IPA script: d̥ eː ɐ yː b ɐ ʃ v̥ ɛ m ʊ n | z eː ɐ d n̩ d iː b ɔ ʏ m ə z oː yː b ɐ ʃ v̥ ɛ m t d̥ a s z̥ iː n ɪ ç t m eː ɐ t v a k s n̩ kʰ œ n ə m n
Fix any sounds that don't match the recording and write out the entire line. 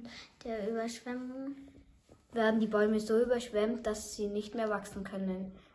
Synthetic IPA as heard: d̥ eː ɐ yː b ɐ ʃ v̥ ɛ m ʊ ŋ | v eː ɐ d n̩ d iː b ɔ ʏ m ə z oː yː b ɐ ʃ v̥ ɛ m t d̥ a s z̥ iː n ɪ ç t m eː ɐ v a k s n̩ kʰ œ n ə n